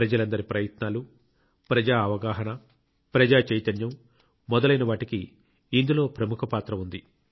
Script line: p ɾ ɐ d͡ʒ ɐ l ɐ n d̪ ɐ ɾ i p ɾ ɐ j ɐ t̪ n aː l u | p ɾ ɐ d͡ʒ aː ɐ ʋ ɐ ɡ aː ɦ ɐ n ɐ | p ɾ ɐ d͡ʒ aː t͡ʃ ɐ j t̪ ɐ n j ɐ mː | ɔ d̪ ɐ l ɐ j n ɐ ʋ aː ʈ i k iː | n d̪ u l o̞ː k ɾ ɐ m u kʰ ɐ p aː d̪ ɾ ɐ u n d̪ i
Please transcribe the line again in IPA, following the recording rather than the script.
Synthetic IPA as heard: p ɾ ɐ d͡ʒ ɐ l ɐ n d̪ ɐ ɾ i p ɾ ɐ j ɐ t̪ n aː l u | p ɾ ɐ d͡ʒ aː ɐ ʋ ɐ ɡ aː ɦ ɐ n ɐ | p ɾ ɐ d͡ʒ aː t͡ʃ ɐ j t̪ ɐ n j ɐ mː | ɔ d̪ ɐ l ɐ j n ɐ ʋ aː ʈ i k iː | n d̪ u l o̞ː p ɾ ɐ m u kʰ ɐ p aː t̪ ɾ ɐ u n d̪ i